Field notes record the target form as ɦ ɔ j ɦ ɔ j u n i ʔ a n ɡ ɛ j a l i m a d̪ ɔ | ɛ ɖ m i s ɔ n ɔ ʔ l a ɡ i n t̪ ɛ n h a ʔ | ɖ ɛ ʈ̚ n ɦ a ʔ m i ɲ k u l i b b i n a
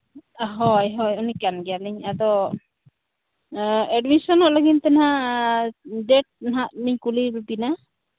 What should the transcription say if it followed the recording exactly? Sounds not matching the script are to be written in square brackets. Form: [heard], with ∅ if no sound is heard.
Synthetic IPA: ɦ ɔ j ɦ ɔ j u n i [k] a n ɡ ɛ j a l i [ɲ] a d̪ ɔ | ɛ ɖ m i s ɔ n ɔ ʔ l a ɡ i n t̪ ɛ n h a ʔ | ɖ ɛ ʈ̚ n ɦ a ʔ m i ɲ k u l i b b i n a

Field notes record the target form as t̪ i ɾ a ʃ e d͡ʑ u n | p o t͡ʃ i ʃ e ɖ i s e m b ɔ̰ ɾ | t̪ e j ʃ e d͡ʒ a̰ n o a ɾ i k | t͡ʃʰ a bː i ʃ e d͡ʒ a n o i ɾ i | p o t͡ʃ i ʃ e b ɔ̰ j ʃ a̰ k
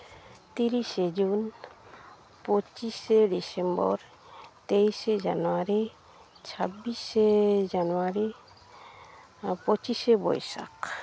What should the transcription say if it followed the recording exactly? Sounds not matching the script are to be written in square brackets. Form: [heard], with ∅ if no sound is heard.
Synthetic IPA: t̪ i ɾ [i] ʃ e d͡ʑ u n | p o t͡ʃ i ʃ e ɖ i s e m b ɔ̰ ɾ | t̪ e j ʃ e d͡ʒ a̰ n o a ɾ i [∅] | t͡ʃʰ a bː i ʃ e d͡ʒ a n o [a] ɾ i | p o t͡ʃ i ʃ e b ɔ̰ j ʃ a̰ k

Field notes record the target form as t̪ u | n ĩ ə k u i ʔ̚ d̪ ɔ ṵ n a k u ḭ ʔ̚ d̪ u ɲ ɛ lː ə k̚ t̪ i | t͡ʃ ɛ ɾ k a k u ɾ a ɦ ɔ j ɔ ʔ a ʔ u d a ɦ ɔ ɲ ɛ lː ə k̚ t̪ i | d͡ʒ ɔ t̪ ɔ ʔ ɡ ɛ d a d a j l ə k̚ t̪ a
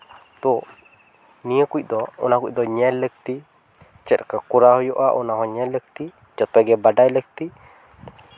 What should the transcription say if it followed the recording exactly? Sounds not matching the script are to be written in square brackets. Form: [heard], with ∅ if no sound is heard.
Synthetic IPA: t̪ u | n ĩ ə k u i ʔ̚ d̪ ɔ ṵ n a k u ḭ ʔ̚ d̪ [ɔ] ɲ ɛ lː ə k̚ t̪ i | t͡ʃ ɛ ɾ k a k u ɾ a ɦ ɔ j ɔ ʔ a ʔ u [n] a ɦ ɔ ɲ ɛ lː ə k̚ t̪ i | d͡ʒ ɔ t̪ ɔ [∅] ɡ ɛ [b] a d a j l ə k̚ t̪ [i]

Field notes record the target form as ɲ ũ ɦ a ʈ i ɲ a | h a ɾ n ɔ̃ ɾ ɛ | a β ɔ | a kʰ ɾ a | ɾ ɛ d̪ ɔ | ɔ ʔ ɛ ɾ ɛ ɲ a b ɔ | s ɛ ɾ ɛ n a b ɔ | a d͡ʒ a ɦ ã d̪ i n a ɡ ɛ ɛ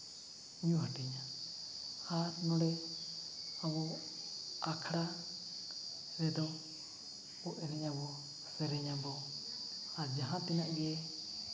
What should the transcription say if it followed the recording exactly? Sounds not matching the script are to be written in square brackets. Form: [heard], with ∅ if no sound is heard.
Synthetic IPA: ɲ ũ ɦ a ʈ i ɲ a | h a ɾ n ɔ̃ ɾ ɛ | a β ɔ | a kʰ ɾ a | ɾ ɛ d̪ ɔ | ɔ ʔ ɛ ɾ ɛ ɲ a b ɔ | s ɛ ɾ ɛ [ɲ] a b ɔ | a d͡ʒ a ɦ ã [t̪] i n a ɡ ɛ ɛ

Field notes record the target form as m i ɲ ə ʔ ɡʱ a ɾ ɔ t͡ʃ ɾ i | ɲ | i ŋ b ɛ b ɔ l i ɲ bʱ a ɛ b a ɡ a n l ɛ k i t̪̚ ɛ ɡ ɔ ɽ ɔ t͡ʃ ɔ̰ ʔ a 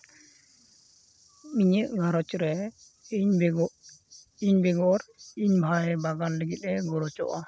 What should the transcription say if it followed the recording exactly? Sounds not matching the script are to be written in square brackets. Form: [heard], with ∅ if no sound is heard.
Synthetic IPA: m i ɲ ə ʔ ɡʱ a ɾ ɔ t͡ʃ ɾ [ɛ] | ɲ | i [ɲ] b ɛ [ɡ] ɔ [ɾ] i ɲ bʱ a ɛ b a ɡ a n l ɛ [ɡ] i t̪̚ ɛ ɡ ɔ [ɾ] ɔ t͡ʃ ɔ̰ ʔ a

